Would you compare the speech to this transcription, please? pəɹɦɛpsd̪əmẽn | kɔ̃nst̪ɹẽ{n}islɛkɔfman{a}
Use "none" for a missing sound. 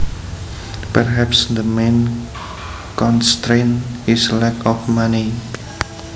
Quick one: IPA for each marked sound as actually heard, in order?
n, i

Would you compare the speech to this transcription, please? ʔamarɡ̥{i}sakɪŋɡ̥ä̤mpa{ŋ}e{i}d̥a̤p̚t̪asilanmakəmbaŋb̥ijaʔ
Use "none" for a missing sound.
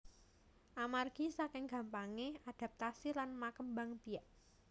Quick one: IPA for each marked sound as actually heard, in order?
i, ŋ, a

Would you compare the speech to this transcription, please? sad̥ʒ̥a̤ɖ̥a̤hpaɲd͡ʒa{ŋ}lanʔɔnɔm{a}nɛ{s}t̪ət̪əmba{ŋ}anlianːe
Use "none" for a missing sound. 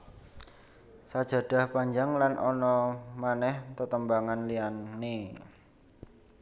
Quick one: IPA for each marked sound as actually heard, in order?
ŋ, a, h, ŋ

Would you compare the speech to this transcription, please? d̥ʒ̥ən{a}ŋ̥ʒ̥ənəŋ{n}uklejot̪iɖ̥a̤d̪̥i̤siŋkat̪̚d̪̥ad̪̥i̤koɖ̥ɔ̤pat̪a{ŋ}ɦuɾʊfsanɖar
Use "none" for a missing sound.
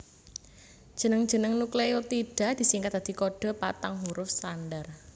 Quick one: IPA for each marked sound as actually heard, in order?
ə, n, ŋ

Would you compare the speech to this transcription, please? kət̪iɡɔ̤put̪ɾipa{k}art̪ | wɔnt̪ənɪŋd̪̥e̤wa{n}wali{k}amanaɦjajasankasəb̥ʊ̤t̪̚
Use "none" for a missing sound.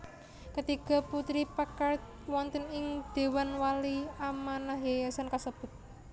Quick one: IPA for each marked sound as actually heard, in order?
k, n, none

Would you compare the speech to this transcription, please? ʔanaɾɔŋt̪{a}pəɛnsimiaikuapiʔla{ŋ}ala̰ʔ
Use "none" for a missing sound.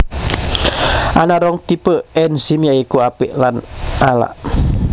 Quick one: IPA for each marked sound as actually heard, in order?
i, n

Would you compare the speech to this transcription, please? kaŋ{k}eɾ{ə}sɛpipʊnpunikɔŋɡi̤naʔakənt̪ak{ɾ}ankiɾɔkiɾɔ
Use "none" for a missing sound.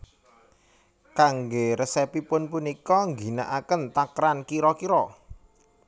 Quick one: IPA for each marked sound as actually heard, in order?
ɡ, ə, ɾ

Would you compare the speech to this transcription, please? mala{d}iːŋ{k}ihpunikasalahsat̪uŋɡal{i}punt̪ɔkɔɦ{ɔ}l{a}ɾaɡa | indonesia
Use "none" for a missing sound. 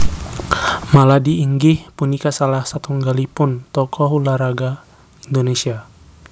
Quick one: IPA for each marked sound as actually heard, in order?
d, ɡ, i, u, a

